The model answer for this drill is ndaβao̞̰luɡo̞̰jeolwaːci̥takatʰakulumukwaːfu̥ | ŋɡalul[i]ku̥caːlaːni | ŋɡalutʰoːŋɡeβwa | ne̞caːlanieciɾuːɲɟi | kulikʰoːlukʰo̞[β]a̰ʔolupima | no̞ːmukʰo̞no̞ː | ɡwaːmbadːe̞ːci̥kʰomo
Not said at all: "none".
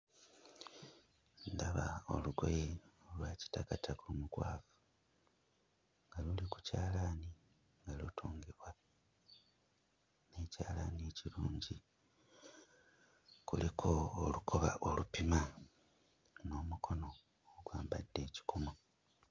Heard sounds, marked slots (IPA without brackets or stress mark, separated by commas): i, β